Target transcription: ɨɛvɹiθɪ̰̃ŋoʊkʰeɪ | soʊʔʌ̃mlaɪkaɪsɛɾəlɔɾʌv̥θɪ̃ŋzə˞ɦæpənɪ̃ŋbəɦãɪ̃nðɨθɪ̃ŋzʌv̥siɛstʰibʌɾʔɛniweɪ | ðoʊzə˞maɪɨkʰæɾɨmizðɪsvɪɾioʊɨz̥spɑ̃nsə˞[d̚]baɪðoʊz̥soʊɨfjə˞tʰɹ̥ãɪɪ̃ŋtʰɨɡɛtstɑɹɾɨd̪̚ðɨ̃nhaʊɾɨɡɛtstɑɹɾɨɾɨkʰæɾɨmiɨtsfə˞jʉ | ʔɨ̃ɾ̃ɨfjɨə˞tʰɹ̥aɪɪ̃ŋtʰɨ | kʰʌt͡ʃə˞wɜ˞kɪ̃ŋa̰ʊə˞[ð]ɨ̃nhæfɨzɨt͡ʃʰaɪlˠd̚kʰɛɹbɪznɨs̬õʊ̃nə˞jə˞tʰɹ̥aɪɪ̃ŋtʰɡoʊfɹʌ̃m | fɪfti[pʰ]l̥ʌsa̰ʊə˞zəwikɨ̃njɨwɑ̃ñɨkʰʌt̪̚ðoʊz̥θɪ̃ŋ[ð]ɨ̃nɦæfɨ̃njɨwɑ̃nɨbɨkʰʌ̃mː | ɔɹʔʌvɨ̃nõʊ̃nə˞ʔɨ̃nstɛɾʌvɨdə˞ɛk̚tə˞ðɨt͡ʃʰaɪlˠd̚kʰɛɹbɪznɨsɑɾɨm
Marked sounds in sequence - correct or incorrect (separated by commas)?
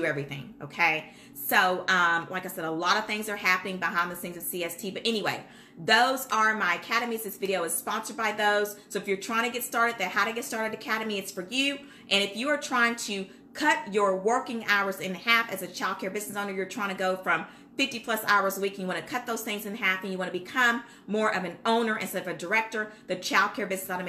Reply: correct, incorrect, correct, incorrect